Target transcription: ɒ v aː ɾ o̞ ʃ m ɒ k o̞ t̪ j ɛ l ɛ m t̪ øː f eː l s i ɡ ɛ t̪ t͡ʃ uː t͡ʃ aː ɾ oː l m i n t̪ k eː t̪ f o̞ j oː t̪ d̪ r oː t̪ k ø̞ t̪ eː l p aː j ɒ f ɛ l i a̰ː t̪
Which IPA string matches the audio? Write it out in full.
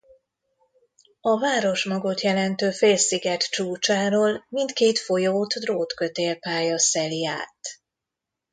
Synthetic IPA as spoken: ɒ v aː ɾ o̞ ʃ m ɒ ɡ o̞ t̪ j ɛ l ɛ n t̪ øː f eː l s i ɡ ɛ t̪ t͡ʃ uː t͡ʃ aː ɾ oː l m i n t̪ k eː t̪ f o̞ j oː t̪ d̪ r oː t̪ k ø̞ t̪ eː l p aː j ɒ s ɛ l i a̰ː t̪